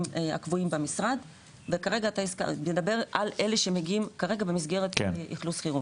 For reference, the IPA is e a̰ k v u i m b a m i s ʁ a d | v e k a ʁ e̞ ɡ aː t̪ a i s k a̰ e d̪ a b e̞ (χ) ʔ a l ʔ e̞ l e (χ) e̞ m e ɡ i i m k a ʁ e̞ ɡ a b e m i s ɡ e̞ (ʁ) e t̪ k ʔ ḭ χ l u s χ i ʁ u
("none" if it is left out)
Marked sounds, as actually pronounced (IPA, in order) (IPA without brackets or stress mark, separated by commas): ʁ, ʃ, ʁ